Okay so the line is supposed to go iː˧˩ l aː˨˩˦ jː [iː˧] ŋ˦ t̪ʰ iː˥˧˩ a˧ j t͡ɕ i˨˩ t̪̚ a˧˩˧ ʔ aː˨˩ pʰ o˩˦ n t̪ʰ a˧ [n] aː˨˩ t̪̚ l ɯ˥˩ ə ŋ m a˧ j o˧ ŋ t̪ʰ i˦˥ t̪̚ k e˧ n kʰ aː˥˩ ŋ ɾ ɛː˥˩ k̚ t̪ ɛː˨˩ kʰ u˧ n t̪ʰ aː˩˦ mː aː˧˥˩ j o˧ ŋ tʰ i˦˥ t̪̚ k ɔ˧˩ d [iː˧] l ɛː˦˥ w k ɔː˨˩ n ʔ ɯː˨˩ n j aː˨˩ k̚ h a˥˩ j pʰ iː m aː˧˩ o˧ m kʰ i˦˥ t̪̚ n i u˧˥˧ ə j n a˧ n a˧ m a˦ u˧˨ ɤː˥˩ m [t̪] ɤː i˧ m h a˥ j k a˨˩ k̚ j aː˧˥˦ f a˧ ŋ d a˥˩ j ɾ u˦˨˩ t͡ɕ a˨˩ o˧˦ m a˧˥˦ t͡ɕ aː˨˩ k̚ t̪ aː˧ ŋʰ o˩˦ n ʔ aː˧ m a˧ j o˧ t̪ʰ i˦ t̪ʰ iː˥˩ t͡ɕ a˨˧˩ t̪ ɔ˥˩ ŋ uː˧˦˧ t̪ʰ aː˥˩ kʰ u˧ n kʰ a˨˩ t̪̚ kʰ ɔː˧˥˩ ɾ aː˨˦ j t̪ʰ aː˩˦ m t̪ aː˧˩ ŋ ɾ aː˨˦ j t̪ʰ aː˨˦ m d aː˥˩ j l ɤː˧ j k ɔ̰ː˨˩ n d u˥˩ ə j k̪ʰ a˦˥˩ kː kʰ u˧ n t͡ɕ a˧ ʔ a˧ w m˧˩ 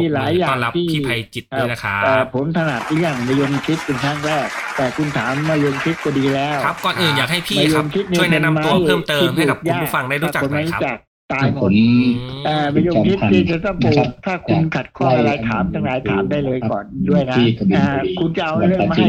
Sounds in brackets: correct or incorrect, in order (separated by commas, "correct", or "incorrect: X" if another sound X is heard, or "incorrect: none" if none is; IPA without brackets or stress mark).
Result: incorrect: aː˧, correct, correct, correct